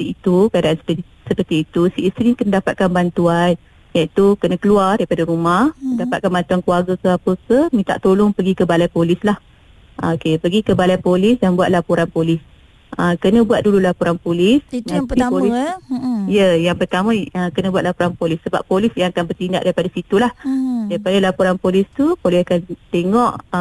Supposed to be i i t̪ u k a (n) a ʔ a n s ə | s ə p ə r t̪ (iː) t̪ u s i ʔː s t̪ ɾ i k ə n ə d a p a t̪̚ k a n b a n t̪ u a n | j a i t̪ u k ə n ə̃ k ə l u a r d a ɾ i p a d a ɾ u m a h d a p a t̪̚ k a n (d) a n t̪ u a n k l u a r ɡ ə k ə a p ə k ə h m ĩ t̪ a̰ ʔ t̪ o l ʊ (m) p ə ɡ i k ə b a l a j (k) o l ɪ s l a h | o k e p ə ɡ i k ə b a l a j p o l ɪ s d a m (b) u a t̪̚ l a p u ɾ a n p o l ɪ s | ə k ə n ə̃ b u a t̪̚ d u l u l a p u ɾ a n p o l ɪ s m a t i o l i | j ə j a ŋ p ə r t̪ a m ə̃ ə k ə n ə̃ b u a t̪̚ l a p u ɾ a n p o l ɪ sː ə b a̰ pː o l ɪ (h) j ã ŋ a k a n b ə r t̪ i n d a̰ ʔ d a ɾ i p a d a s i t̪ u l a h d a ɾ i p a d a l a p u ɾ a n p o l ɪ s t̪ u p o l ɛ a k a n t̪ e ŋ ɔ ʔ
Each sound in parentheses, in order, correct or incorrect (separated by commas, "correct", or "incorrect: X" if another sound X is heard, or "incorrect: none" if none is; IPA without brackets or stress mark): incorrect: d, correct, incorrect: b, incorrect: ŋ, incorrect: p, correct, incorrect: s